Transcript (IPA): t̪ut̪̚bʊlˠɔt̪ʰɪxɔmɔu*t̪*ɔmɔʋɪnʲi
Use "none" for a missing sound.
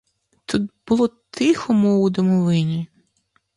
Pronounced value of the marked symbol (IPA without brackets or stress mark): d̪